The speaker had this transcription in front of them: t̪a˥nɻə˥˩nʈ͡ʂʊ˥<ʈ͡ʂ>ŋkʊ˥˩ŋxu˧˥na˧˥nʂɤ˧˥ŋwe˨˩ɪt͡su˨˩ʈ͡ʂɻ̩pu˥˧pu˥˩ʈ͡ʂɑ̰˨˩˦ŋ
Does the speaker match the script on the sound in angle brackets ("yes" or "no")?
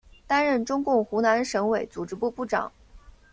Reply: no